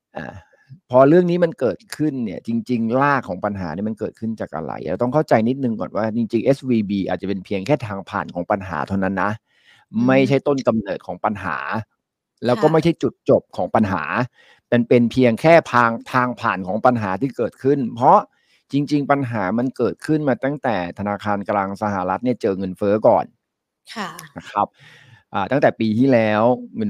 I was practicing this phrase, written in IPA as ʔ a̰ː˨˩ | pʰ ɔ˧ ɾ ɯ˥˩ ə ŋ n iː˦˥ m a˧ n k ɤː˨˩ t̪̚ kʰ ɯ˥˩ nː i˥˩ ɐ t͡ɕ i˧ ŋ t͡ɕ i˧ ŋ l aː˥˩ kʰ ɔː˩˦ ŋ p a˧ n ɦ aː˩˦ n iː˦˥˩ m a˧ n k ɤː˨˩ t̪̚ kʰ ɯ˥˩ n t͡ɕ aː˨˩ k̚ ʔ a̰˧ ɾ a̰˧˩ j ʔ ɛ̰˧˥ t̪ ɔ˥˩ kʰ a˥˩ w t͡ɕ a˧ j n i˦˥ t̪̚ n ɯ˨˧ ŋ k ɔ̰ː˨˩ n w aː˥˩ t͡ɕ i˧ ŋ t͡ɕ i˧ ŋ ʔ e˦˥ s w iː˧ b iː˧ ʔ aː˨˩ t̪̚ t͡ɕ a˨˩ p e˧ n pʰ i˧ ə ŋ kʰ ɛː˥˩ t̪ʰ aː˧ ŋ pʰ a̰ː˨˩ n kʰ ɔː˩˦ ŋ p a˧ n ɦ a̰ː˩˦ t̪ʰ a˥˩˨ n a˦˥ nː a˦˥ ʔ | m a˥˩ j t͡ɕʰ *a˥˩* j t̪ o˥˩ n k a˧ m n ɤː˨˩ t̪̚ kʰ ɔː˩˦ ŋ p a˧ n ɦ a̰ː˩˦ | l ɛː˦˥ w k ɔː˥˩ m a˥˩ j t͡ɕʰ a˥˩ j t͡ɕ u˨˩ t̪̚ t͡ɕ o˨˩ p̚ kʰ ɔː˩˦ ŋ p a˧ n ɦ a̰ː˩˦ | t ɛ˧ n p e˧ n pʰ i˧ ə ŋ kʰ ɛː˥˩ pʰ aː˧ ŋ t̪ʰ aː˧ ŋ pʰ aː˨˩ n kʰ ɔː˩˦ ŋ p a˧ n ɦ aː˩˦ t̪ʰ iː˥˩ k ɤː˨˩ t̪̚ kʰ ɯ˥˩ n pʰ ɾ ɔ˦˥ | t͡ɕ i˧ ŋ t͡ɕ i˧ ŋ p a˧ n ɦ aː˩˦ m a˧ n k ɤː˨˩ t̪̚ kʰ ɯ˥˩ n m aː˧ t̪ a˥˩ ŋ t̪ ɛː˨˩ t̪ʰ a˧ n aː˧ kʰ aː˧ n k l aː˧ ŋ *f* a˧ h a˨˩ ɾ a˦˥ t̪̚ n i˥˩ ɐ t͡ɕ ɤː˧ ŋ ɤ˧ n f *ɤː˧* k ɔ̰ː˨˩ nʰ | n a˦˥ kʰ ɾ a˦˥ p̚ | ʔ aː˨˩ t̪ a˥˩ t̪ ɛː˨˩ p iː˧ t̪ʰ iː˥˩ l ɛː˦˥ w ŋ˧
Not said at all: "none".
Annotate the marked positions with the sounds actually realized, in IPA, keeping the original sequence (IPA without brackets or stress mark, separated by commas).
a˦˥, s, ɤː˦˥